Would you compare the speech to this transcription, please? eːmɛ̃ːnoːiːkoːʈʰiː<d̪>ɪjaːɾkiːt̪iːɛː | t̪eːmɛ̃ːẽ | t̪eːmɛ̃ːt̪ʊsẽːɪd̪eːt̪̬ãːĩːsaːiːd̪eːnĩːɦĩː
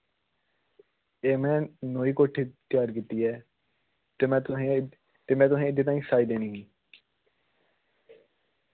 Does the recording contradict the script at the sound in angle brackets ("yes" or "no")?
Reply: yes